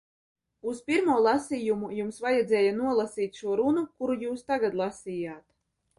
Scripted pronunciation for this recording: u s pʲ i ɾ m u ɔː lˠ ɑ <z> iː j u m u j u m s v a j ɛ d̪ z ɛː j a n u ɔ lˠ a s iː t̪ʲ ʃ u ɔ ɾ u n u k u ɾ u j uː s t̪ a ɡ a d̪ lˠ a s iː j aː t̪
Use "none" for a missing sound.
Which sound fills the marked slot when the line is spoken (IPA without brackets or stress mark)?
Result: s